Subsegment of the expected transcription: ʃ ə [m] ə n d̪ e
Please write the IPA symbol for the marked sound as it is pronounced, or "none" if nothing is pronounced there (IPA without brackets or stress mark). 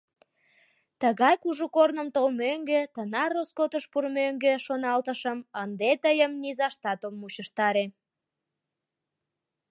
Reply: m